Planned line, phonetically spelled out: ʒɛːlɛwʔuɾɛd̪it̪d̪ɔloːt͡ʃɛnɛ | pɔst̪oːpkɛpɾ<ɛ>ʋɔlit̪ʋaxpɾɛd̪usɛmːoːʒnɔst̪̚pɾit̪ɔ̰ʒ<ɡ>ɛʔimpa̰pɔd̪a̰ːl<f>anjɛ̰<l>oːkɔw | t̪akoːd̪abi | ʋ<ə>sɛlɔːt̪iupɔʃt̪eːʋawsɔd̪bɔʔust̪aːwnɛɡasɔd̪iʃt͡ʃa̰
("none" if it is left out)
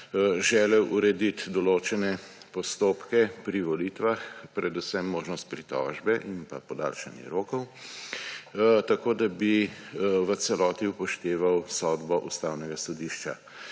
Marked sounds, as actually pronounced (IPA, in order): i, b, ʃ, ɾ, ə

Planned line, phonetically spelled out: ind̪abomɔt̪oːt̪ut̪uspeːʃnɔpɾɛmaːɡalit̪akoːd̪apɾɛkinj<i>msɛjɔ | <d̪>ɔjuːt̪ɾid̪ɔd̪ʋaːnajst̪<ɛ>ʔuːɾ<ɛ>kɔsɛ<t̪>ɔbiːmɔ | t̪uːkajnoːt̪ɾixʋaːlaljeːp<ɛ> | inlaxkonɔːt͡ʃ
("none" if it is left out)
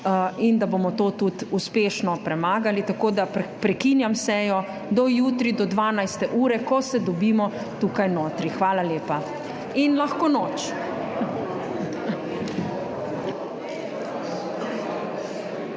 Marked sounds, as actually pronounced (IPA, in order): a, d̪, ɛ, ɛ, d̪, a

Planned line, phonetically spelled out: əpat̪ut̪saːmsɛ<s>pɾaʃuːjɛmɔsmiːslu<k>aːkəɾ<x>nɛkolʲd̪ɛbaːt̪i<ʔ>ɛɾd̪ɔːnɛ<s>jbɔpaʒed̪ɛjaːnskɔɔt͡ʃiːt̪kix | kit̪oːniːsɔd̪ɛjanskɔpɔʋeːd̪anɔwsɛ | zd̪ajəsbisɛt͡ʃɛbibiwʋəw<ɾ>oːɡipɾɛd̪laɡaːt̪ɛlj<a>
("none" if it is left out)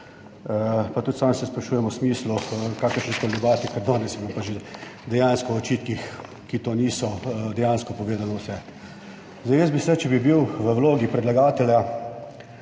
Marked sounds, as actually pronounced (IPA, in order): s, k, ʃ, k, s, l, a

